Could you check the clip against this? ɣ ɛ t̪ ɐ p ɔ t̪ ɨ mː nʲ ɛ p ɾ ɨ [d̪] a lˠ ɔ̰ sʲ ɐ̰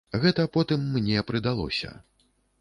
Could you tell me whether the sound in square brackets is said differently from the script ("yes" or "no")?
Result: no